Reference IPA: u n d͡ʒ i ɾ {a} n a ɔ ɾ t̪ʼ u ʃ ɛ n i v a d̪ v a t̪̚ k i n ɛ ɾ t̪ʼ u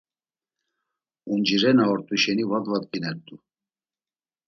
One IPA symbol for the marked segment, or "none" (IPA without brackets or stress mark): ɛ